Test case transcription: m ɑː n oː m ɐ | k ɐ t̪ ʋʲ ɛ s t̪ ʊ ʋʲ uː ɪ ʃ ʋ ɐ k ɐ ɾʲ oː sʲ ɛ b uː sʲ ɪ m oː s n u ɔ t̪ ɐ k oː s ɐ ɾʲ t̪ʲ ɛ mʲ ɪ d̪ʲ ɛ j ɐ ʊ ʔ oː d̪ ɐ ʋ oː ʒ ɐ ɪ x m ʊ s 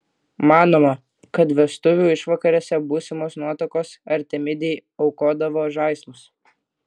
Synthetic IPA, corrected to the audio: m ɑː n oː m ɐ | k ɐ t̪ ʋʲ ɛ s t̪ ʊ ʋʲ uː ɪ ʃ ʋ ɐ k ɐ ɾʲ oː sʲ ɛ b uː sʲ ɪ m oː s n u ɔ t̪ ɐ k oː s ɐ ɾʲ t̪ʲ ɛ mʲ ɪ d̪ʲ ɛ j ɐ ʊ k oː d̪ ɐ ʋ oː ʒ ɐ ɪ s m ʊ s